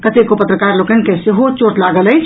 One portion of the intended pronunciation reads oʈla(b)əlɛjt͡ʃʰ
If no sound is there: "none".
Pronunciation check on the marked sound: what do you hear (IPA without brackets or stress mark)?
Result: ɡ